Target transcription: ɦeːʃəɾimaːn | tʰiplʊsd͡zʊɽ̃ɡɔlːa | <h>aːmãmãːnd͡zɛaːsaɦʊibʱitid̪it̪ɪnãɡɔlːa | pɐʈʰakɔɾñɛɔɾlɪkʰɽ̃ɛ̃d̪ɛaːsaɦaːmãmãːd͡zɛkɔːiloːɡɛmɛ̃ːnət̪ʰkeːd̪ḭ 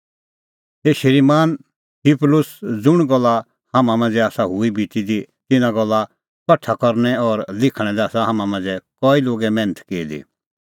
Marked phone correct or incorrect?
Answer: correct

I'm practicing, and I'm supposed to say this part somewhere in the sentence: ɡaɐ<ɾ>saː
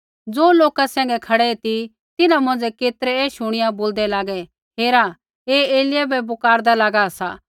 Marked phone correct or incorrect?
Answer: incorrect: none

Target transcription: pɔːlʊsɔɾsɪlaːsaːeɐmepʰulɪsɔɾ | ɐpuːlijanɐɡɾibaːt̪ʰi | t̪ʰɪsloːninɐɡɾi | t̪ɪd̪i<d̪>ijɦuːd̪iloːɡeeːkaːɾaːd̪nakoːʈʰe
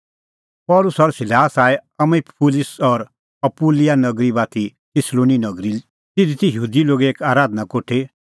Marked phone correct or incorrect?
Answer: incorrect: t̪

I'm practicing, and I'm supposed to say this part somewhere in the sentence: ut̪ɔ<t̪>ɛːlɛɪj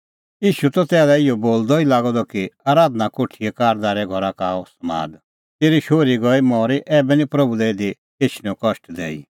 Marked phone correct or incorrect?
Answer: correct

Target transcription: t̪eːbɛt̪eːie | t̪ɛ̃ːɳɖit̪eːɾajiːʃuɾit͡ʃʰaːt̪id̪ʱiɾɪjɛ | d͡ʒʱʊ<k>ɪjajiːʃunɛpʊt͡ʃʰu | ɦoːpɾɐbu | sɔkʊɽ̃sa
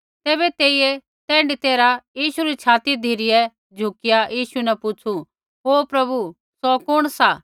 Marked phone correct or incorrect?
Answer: correct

